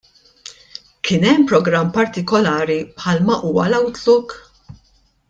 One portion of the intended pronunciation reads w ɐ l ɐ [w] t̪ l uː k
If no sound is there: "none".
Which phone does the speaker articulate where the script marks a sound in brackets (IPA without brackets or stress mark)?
w